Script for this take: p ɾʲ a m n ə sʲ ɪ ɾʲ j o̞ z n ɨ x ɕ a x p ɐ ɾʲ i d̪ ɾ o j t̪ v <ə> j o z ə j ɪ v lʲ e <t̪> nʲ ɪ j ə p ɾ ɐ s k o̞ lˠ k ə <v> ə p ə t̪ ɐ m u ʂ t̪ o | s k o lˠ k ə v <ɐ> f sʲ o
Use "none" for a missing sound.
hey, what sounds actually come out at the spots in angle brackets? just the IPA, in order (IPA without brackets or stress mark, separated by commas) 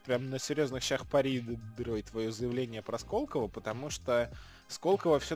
ɐ, none, v, ə